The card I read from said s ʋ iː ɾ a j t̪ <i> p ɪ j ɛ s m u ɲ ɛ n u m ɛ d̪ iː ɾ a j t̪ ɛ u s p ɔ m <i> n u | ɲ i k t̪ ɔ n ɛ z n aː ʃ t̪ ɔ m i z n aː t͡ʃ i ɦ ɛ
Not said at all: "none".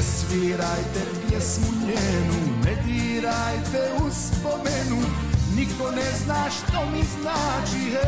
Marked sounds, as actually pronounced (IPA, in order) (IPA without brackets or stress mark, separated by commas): ɛ, ɛ